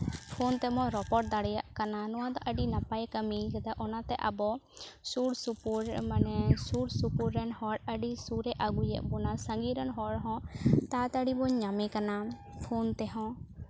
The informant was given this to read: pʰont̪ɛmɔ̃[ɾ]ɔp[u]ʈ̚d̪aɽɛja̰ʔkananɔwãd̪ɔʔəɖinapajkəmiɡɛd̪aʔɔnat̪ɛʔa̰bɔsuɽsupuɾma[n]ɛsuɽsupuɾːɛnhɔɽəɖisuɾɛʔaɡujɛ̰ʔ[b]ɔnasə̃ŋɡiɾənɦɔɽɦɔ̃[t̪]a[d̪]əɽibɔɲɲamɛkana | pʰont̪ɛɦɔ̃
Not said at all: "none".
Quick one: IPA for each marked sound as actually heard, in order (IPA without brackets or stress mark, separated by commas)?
ɾ, ɔ, n, b, t̪, t̪